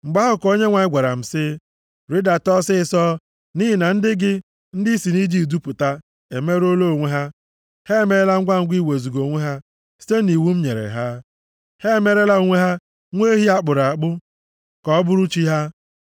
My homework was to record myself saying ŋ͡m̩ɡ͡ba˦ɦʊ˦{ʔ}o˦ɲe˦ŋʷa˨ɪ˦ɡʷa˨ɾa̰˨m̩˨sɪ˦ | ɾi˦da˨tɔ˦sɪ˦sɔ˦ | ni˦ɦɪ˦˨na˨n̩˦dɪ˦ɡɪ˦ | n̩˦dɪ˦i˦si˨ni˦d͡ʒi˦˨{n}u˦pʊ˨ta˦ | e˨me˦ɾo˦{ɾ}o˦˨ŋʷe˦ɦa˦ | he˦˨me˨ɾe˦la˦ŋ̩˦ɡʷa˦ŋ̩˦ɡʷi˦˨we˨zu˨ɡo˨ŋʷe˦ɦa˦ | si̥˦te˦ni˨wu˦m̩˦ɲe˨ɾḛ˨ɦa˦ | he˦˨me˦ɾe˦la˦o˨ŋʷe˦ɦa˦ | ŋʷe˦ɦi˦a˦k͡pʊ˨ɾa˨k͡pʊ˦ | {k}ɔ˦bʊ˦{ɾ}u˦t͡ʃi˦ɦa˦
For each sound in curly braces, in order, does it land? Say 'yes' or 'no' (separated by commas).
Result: no, no, no, yes, yes